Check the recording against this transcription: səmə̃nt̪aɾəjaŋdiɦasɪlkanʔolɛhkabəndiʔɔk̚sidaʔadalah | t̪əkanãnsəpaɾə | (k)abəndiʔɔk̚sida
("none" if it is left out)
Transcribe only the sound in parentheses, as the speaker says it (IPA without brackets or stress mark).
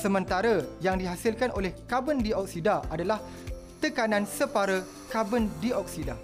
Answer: k